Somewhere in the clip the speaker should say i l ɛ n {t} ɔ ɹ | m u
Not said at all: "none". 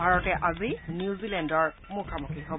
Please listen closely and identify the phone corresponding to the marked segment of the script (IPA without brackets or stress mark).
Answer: d